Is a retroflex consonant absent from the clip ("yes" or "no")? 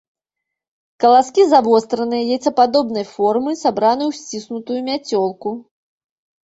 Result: yes